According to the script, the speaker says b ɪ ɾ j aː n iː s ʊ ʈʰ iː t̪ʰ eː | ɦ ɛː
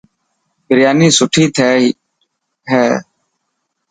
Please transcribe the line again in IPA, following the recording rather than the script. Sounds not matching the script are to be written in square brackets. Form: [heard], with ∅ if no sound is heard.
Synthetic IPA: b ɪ ɾ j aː n iː s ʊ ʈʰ iː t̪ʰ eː | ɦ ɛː